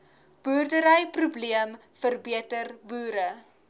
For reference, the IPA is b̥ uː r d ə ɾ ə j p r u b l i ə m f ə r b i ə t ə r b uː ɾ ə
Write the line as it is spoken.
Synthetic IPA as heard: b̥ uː r d ə ɾ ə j p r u b l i ə m f ə r b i ə t ə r b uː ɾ ə

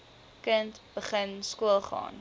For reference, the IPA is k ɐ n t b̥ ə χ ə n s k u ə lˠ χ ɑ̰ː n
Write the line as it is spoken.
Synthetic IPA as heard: k ə n t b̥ ə χ ə n s k u ə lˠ χ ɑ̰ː n

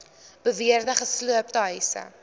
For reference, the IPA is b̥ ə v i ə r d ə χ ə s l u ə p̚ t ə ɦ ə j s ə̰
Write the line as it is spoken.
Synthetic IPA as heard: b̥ ə v i ə r d ə χ ə s l u ə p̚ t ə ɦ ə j s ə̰

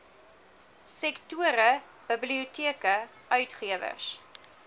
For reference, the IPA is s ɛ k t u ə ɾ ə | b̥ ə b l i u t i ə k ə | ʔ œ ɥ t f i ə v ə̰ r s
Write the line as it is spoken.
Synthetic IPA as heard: s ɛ k t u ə ɾ ə | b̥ ə b l i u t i ə k ə | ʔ œ ɥ t χ i ə v ə̰ r s

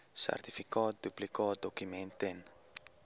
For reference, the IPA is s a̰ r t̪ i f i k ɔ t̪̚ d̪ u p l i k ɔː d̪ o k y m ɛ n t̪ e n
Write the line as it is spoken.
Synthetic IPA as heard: s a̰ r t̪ i f i k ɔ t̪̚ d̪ u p l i k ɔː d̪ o k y m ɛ n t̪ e n

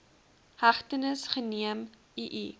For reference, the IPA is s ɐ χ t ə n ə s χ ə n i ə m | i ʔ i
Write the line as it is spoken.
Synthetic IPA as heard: h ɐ χ t ə n ə s χ ə n i ə m | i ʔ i

